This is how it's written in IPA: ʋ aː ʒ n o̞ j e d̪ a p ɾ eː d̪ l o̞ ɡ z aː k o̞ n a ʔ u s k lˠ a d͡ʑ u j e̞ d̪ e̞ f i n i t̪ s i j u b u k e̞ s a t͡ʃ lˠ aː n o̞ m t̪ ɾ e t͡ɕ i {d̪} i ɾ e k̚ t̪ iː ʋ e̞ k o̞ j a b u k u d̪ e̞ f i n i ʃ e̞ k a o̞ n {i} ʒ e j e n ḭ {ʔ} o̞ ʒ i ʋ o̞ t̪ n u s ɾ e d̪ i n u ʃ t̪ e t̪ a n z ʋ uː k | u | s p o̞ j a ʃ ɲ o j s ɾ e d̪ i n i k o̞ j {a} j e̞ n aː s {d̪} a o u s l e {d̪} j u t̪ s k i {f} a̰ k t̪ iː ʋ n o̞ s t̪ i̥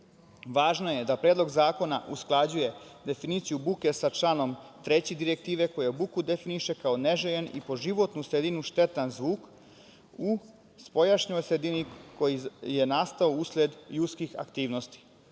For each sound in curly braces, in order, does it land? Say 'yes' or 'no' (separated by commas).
yes, no, no, no, no, yes, no